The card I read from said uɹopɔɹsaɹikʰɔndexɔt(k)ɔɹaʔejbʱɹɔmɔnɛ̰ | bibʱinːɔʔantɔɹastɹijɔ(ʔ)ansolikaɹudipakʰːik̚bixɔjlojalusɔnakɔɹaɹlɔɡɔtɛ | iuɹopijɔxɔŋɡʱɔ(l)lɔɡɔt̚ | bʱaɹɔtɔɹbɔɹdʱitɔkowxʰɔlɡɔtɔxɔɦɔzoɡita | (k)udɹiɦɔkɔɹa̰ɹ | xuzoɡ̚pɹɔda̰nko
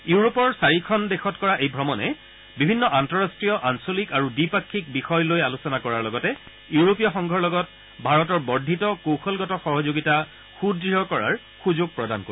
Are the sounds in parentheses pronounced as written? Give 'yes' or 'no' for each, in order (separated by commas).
yes, yes, no, no